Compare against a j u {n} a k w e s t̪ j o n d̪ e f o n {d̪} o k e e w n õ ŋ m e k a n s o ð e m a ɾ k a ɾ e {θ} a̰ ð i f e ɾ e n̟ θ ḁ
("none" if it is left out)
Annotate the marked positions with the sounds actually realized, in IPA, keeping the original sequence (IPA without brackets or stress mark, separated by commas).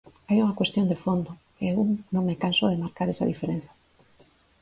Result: ŋ, d̪, s